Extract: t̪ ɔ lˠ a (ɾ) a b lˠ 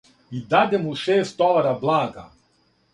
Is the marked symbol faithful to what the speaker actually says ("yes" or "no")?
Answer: yes